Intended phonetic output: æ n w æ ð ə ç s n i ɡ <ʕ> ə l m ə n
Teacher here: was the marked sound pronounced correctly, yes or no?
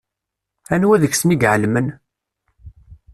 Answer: yes